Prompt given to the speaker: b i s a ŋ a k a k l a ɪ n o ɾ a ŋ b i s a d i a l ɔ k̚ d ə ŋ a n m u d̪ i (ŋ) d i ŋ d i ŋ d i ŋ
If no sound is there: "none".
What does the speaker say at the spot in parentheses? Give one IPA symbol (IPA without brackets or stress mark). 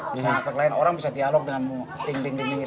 ŋ